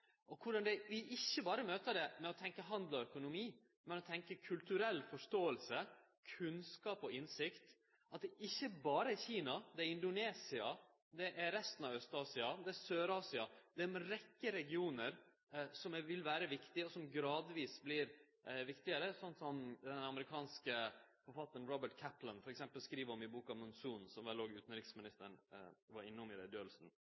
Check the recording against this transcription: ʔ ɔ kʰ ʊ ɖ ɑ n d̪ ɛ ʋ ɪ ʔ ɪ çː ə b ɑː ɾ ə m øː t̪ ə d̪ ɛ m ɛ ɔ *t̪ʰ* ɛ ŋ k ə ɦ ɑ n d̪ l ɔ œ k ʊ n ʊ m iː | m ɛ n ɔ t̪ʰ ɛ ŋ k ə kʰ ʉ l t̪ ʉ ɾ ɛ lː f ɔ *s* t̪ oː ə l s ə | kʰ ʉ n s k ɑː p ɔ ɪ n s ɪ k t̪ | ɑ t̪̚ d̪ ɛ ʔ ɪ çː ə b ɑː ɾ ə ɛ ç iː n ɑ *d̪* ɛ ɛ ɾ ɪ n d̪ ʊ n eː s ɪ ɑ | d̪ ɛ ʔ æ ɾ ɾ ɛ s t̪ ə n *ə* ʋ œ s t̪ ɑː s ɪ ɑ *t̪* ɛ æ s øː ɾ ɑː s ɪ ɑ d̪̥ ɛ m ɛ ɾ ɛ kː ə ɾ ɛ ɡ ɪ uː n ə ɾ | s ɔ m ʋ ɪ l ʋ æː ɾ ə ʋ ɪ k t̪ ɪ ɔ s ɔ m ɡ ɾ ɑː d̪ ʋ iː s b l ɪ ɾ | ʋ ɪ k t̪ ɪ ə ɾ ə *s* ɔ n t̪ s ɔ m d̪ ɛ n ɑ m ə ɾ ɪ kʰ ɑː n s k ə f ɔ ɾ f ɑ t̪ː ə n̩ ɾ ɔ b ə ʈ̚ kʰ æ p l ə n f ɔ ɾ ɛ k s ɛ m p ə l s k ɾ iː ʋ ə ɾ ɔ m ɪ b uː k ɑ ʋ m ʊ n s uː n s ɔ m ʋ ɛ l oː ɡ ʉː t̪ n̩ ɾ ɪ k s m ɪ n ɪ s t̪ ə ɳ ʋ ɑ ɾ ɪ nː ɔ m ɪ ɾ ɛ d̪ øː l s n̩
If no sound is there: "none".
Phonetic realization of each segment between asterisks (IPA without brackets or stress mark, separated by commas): t̪ʰ, ʂ, d̪, ɑ, d̪, s